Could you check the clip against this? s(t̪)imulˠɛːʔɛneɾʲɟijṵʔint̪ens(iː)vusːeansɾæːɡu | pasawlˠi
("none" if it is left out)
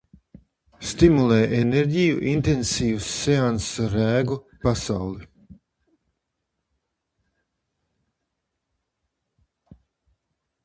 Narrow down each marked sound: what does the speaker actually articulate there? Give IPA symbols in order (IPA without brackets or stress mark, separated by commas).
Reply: t̪, iː